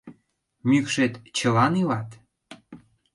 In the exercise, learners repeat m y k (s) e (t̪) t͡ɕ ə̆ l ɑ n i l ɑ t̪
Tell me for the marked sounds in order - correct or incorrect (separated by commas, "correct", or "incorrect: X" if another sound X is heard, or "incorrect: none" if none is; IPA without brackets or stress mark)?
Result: incorrect: ʃ, correct